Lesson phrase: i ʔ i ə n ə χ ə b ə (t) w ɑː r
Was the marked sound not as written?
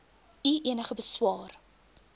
yes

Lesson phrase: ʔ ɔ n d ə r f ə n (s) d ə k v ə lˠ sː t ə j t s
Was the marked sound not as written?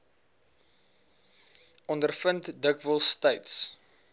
yes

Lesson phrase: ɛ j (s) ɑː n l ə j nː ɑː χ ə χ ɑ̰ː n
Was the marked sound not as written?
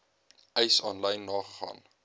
no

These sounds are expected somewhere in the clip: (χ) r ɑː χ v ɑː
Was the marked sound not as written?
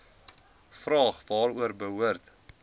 yes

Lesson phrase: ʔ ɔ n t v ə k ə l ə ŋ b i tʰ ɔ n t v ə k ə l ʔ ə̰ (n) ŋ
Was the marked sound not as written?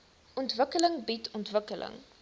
yes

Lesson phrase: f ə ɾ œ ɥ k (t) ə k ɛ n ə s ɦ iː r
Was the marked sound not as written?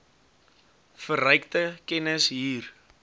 no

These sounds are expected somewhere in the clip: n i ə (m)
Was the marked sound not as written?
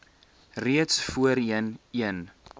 yes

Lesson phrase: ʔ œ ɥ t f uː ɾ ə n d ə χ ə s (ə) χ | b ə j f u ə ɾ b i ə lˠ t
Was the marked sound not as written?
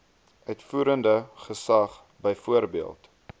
yes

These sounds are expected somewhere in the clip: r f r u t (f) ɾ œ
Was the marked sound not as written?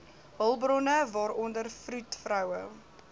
no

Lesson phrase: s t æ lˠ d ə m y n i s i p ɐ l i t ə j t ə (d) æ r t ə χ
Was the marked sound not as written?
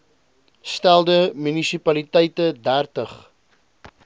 no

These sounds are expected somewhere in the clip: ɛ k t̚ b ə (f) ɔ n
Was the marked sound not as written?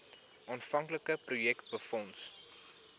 no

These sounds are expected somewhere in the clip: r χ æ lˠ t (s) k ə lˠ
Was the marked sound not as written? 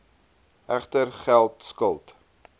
no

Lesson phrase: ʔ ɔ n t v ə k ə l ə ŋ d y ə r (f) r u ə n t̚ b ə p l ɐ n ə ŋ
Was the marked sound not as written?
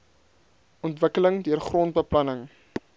yes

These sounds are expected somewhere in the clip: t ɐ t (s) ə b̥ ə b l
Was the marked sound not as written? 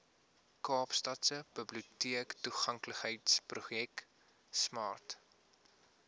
no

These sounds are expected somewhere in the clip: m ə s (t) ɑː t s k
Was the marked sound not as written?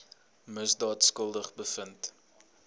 yes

